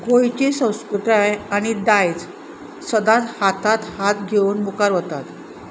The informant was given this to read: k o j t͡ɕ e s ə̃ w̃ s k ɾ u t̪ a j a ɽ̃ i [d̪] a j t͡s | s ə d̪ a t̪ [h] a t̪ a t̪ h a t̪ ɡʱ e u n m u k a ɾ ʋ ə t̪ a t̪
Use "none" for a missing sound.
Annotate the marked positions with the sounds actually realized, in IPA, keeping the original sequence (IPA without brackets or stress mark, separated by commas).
d̪, h